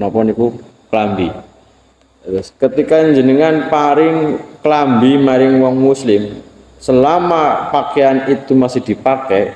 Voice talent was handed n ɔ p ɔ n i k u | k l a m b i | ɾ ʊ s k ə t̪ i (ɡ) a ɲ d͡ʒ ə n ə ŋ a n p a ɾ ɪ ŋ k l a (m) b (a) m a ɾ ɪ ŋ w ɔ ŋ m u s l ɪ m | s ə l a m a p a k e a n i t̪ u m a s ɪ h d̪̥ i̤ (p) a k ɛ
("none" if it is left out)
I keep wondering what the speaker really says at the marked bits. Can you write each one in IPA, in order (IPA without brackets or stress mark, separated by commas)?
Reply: k, m, i, p